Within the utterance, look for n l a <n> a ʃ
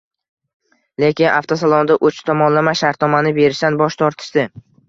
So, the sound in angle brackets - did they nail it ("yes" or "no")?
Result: no